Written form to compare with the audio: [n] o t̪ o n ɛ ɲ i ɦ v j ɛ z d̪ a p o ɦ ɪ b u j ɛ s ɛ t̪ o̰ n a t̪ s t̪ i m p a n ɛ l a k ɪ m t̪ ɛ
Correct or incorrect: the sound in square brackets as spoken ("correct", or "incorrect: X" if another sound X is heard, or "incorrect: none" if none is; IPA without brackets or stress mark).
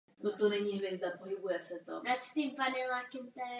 correct